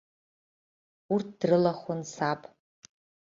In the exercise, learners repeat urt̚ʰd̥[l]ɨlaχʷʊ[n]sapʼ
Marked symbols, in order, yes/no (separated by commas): no, yes